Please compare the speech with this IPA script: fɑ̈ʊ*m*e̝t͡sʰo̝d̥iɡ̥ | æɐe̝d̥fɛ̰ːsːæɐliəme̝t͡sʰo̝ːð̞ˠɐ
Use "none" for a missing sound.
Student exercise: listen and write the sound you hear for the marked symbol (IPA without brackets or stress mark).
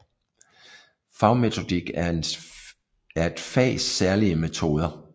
m